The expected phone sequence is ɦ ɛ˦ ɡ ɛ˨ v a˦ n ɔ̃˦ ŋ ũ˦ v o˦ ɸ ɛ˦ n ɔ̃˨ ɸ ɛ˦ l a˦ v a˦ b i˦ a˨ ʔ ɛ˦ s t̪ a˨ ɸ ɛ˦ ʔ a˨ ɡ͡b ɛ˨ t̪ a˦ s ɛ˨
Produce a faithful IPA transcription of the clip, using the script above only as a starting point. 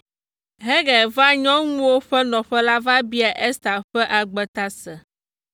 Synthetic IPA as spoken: ɦ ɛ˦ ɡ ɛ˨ v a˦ ɲ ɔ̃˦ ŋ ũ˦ w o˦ ɸ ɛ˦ n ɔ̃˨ ɸ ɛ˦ l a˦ v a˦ b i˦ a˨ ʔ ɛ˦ s t̪ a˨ ɸ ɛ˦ ʔ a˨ ɡ͡b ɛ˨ t̪ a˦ s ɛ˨